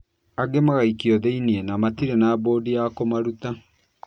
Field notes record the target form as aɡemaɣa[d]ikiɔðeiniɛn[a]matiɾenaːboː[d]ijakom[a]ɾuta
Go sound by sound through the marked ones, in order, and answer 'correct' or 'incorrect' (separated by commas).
incorrect, correct, correct, correct